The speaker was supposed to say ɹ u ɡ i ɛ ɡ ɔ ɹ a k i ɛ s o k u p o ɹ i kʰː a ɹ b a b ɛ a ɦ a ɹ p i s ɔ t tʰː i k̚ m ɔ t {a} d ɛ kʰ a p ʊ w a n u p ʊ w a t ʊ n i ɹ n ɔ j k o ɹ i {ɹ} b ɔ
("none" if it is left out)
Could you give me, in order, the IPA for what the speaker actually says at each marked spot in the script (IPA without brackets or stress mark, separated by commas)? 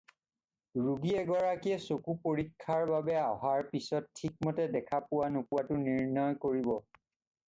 ɛ, none